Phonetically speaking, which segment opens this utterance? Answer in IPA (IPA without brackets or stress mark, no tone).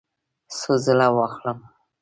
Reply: s